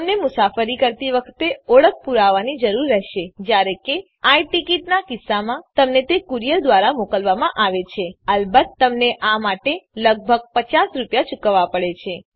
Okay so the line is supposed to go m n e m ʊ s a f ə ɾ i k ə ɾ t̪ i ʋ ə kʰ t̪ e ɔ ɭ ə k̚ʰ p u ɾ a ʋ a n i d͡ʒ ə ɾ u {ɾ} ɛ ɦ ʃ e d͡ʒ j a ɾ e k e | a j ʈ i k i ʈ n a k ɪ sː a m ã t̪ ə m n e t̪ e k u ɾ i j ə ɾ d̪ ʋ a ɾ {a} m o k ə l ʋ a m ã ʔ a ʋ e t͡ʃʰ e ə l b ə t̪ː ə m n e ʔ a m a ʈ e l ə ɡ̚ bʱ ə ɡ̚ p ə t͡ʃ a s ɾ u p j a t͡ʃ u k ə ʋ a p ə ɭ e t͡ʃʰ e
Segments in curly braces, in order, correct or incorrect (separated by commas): incorrect, correct